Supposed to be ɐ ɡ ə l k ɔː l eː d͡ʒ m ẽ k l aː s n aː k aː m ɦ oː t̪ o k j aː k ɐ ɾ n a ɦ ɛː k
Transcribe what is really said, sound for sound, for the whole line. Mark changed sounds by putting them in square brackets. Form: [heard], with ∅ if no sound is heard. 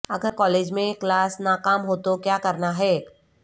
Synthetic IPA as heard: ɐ ɡ ə [ɾ] k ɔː l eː d͡ʒ m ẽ k l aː s n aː k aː m ɦ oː t̪ o k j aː k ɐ ɾ n a ɦ ɛː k